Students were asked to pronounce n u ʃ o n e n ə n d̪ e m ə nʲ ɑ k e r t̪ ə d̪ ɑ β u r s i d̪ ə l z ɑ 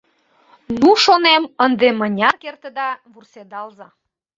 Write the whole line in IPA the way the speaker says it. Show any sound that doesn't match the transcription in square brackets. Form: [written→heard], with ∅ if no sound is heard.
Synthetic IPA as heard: n u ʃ o n e [n→m] ə n d̪ e m ə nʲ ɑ k e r t̪ ə d̪ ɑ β u r s [i→e] d̪ [ə→ɑ] l z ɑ